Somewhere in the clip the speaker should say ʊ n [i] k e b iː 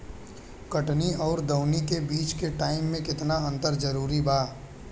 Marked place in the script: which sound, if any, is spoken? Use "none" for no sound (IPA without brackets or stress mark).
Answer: i